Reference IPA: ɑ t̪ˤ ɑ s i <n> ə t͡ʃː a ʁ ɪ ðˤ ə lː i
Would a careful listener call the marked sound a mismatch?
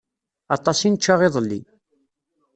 no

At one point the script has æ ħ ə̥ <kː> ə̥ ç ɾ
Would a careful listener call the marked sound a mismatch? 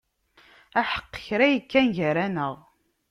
yes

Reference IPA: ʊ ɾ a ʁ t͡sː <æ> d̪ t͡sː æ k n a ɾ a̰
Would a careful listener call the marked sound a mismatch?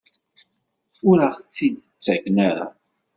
yes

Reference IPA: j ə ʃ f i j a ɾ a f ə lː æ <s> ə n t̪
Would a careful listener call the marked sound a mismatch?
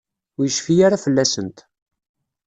no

